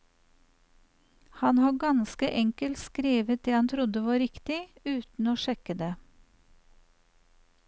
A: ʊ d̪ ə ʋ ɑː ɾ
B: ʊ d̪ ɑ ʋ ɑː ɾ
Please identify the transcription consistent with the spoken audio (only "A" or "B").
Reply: A